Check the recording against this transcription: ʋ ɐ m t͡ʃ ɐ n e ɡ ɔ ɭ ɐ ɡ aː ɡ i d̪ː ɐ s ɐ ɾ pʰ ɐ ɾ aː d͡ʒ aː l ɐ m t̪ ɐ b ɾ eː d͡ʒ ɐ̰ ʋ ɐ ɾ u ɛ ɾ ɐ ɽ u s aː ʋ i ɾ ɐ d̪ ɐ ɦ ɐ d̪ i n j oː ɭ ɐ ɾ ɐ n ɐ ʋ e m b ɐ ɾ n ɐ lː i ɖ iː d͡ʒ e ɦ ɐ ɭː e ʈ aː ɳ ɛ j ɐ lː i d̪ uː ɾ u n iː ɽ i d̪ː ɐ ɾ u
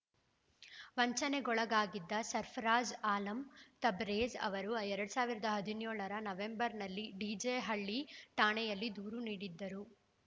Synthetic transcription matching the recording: ʋ ɐ ɲ t͡ʃ ɐ n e ɡ ɔ ɭ ɐ ɡ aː ɡ i d̪ː ɐ s ɐ ɾ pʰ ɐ ɾ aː d͡ʒ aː l ɐ m t̪ ɐ b ɾ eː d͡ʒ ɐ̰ ʋ ɐ ɾ u ɛ ɾ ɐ ɽ u s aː ʋ i ɾ ɐ d̪ ɐ ɦ ɐ d̪ i n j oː ɭ ɐ ɾ ɐ n ɐ ʋ e m b ɐ ɾ n ɐ lː i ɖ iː d͡ʒ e ɦ ɐ ɭː i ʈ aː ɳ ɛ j ɐ lː i d̪ uː ɾ u n iː ɽ i d̪ː ɐ ɾ u